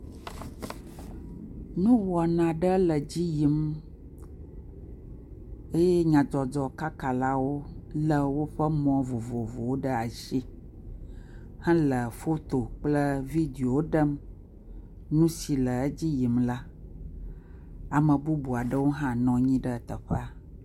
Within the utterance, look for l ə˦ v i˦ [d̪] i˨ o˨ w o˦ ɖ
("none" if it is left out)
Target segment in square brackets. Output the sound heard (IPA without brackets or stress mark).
d̪